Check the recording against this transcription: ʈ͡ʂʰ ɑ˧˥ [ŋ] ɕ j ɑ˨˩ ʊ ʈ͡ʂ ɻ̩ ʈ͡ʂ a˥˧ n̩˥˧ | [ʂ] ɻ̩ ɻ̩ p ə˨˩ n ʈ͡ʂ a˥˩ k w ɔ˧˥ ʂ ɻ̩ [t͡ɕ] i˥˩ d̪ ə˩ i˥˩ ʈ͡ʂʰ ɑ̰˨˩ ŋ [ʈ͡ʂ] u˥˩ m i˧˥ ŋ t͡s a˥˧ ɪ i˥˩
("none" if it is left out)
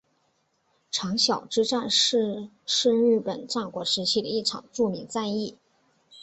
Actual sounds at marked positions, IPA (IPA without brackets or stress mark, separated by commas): ŋ, ʂ, t͡ɕʰ, ʈ͡ʂ